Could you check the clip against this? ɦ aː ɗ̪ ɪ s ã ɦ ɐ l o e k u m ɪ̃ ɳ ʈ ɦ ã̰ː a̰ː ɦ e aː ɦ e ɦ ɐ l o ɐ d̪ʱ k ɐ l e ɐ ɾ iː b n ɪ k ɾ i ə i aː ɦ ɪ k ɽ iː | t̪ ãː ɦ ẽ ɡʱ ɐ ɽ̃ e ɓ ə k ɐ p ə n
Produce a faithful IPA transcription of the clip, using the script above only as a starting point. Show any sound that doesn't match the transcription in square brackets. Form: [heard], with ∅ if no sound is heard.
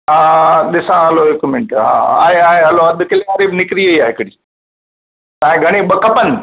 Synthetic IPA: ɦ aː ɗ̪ ɪ s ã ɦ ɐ l o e k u m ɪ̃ ɳ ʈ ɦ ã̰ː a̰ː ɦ e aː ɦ e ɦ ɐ l o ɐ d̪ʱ k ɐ l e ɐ ɾ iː b n ɪ k ɾ i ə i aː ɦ ɪ k ɽ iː | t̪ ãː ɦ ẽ ɡʱ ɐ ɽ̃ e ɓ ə k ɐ p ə n

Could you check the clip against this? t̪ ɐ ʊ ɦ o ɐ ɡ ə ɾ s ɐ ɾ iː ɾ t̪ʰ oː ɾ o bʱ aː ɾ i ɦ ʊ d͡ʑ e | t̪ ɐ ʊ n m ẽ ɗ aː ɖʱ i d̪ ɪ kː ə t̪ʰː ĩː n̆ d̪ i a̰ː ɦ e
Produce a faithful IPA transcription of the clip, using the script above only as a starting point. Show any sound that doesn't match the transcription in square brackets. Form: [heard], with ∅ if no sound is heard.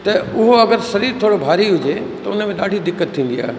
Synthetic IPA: t̪ ɐ ʊ ɦ o ɐ ɡ ə ɾ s ɐ ɾ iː ɾ t̪ʰ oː [ɽ] o bʱ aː ɾ i ɦ ʊ d͡ʑ e | t̪ ɐ ʊ n m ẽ ɗ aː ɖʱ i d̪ ɪ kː ə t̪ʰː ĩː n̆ d̪ i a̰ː ɦ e

